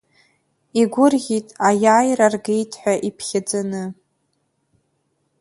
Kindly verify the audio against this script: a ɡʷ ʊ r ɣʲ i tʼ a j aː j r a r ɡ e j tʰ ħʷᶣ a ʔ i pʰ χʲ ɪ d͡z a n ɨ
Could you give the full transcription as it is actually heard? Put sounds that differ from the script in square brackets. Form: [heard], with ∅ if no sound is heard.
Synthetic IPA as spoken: [i] ɡʷ ʊ r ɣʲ i tʼ a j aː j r a r ɡ e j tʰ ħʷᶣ a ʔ i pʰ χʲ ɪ d͡z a n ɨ